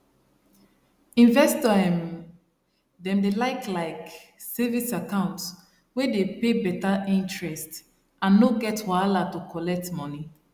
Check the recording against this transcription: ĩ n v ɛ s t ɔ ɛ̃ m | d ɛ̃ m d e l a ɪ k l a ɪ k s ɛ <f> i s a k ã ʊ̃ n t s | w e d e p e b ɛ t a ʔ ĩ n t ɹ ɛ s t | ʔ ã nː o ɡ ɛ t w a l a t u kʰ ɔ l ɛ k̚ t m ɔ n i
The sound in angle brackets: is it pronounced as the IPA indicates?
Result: no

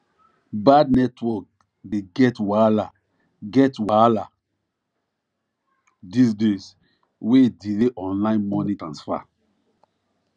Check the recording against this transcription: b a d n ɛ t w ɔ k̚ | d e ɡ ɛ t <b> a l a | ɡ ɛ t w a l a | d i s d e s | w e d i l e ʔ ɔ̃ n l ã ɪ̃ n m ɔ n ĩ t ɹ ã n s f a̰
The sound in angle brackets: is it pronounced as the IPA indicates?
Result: no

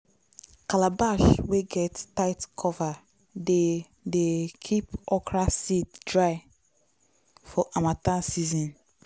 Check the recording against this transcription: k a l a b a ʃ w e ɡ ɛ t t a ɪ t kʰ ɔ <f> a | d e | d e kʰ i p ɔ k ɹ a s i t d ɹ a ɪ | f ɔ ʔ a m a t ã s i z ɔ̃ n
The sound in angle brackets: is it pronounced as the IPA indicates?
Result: no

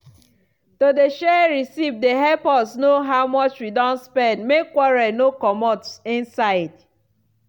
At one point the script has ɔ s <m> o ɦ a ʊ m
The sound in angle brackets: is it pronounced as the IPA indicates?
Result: no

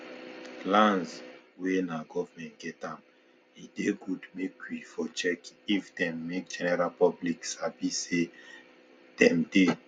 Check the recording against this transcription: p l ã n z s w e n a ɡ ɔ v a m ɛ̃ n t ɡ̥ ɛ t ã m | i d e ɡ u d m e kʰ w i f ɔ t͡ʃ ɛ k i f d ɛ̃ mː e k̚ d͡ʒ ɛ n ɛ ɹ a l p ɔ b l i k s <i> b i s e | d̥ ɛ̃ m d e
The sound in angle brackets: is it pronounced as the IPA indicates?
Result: no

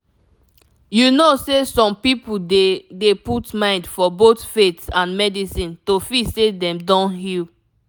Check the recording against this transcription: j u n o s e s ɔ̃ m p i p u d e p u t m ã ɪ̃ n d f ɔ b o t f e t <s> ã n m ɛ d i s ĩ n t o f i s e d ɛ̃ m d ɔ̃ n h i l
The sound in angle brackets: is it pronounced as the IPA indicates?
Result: yes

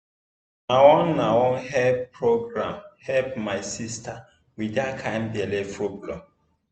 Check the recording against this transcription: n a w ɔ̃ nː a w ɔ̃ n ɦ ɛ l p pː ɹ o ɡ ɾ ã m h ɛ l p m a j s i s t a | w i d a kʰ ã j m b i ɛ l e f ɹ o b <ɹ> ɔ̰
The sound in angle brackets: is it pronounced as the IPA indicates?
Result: no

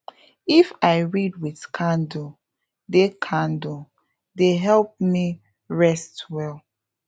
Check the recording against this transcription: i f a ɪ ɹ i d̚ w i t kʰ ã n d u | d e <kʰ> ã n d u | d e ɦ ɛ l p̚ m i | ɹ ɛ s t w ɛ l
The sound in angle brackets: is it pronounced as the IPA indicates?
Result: yes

